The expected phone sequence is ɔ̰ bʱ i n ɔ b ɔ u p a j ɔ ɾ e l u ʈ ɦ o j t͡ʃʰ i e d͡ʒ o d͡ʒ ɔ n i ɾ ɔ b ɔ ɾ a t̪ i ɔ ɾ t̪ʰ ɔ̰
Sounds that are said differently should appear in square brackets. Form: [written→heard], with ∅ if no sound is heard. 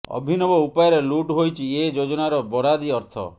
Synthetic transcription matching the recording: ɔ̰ bʱ i n ɔ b ɔ u p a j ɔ ɾ e l u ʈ ɦ o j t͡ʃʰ i e d͡ʒ o d͡ʒ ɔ n [i→a] ɾ ɔ b ɔ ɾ a [t̪→d̪] i ɔ ɾ t̪ʰ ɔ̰